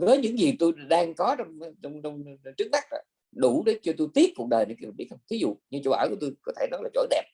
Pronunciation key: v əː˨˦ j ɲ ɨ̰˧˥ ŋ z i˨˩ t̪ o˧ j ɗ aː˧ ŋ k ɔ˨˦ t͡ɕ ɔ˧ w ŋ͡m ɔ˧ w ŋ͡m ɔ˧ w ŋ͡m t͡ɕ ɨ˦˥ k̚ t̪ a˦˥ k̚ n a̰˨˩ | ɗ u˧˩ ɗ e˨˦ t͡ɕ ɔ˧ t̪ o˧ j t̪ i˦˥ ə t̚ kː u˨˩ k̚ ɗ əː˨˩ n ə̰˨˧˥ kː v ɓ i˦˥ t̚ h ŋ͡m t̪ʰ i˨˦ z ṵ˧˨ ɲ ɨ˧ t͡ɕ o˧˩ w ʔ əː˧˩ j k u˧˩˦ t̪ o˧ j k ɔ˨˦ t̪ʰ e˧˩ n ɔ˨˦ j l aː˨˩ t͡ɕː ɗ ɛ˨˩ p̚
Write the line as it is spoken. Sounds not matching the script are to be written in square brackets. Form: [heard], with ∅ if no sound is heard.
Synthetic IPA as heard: v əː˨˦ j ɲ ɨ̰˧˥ ŋ z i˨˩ t̪ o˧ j ɗ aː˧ ŋ k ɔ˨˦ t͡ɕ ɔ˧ w ŋ͡m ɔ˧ w ŋ͡m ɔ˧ w ŋ͡m t͡ɕ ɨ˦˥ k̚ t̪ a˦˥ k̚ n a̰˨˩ | ɗ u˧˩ ɗ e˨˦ t͡ɕ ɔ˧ t̪ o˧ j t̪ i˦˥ ə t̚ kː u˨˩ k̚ ɗ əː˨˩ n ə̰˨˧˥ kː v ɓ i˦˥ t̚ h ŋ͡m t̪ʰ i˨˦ z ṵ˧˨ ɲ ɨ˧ t͡ɕ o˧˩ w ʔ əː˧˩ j k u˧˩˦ t̪ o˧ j k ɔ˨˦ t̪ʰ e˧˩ n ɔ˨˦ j l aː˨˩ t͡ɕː ɗ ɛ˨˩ p̚